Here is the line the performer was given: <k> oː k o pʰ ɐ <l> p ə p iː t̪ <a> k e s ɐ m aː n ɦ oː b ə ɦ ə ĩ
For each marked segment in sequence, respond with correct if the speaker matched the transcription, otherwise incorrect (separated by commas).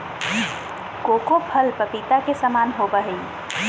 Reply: correct, correct, correct